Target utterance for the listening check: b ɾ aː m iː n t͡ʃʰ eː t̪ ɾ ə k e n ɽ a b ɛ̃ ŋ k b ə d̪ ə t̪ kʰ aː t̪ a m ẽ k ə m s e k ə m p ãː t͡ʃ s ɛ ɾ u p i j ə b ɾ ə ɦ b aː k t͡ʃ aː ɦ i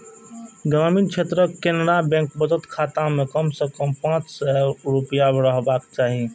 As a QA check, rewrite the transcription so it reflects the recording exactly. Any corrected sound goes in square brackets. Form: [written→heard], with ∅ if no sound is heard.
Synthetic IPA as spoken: [b→ɡ] ɾ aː m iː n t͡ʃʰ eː t̪ ɾ ə k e n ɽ a b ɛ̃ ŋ k b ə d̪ ə t̪ kʰ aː t̪ a m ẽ k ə m s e k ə m p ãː t͡ʃ s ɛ ɾ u p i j [ə→a] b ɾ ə ɦ b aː k t͡ʃ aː ɦ i